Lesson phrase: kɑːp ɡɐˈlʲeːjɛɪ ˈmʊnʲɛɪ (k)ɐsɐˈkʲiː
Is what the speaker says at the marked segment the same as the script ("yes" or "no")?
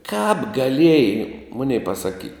no